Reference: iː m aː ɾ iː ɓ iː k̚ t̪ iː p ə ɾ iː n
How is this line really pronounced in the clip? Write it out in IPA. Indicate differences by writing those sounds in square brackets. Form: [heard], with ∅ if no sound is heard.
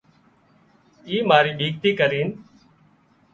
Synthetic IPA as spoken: iː m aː ɾ iː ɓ iː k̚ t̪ iː [k] ə ɾ iː n